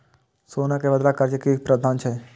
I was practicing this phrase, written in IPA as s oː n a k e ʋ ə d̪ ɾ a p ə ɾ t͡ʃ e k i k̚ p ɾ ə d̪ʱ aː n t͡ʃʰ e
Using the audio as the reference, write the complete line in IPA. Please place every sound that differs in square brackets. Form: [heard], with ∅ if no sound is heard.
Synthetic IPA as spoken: s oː n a k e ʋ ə d̪ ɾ a [k] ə ɾ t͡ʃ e k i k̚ p ɾ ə d̪ʱ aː n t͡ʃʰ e